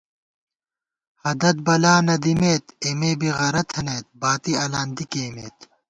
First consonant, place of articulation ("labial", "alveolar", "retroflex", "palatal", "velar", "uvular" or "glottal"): glottal